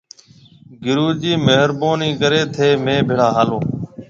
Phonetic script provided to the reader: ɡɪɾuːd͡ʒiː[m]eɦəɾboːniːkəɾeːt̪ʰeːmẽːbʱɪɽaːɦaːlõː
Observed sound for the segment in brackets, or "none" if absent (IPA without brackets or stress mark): m